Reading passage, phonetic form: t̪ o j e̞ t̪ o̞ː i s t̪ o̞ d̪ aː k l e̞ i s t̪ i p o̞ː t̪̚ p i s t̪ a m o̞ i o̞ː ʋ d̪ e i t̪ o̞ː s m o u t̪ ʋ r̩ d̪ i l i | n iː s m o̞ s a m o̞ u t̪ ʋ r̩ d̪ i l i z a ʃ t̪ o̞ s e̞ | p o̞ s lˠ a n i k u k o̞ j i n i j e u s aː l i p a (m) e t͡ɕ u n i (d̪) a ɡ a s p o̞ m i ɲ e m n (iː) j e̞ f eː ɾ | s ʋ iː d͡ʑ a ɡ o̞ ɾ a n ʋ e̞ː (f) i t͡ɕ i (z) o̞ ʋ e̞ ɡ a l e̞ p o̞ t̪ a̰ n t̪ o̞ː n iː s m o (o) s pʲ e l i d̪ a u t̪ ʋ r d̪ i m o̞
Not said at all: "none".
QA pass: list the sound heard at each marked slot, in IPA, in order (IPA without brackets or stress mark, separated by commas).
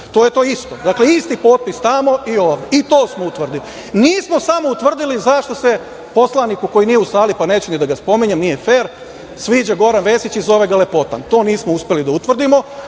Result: n, d̪, i, s, z, u